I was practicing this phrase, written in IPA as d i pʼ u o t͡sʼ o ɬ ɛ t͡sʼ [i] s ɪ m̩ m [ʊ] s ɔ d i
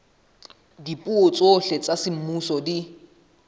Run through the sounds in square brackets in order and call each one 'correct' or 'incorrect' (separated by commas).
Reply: incorrect, incorrect